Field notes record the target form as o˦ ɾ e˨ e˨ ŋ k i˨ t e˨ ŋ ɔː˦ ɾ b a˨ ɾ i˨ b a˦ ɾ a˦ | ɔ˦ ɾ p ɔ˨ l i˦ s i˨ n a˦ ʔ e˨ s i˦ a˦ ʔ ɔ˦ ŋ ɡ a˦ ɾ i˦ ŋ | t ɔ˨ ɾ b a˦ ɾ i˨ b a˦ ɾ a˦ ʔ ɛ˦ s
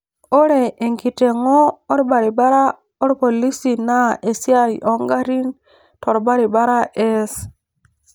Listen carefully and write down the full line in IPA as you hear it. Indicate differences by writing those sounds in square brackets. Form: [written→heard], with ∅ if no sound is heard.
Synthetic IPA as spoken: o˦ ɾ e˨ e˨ ŋ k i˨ t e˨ ŋ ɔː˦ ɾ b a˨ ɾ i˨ b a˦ ɾ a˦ | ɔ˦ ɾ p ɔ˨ l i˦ s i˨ n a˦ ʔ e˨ s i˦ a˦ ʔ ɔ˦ ŋ ɡ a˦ ɾ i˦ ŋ | t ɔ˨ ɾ b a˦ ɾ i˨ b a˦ ɾ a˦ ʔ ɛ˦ s